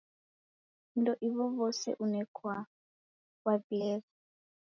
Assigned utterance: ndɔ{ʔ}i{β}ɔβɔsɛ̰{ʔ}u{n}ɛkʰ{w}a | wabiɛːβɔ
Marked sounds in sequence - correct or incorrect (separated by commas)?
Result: correct, correct, correct, correct, correct